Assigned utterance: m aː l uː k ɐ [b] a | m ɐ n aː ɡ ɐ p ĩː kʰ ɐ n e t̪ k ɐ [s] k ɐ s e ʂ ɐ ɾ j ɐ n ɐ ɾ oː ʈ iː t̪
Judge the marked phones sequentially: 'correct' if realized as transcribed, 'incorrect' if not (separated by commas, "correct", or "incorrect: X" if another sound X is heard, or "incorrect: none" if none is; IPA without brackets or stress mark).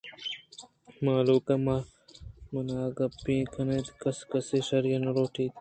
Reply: incorrect: m, correct